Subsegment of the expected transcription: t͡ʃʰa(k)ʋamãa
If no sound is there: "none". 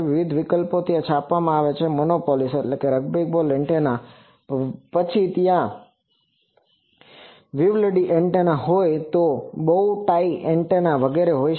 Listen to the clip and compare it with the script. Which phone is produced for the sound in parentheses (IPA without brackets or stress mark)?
p